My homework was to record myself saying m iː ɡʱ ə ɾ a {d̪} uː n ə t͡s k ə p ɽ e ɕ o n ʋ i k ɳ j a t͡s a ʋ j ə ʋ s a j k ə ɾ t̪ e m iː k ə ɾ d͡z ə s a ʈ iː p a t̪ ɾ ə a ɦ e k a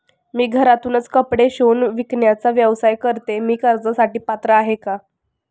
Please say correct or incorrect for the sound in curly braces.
incorrect